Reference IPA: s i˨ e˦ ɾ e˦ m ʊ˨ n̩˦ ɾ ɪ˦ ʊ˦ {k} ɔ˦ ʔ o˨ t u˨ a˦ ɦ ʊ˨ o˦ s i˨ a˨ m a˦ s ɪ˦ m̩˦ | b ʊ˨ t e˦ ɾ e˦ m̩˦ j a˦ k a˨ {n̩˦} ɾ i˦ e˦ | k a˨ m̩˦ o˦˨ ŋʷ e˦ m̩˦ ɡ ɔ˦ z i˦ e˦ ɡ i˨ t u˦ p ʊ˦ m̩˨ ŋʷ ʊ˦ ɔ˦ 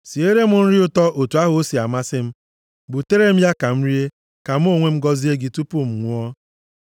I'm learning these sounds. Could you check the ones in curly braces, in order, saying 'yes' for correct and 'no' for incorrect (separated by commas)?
no, no